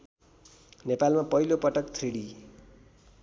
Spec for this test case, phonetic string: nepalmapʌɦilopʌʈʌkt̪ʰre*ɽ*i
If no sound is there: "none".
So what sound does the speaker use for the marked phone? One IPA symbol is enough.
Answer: ɽ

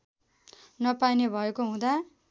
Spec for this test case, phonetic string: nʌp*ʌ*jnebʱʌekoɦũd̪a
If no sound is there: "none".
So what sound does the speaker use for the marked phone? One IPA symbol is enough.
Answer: a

